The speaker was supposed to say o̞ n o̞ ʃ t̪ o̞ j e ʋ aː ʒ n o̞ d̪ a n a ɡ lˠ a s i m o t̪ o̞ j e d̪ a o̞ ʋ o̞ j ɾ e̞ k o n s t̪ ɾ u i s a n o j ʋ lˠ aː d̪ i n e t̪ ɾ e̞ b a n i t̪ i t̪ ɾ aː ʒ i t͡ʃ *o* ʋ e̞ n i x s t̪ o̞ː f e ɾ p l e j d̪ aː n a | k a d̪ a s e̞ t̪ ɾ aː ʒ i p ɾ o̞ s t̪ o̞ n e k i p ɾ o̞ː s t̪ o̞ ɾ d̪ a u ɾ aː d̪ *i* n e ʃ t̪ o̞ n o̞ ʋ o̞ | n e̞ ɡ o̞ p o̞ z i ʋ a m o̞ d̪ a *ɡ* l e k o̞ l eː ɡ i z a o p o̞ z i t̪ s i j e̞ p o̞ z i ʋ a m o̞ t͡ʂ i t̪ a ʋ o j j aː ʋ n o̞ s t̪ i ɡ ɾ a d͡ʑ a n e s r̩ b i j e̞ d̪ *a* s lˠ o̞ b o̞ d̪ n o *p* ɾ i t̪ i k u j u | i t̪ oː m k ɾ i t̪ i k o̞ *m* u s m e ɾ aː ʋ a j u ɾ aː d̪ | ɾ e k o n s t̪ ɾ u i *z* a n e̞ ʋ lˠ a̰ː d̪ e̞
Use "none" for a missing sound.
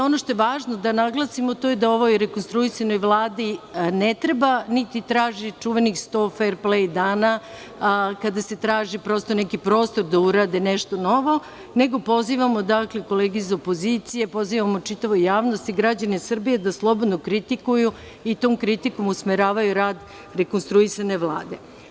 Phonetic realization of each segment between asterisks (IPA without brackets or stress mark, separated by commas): u, e, k, a, k, m, s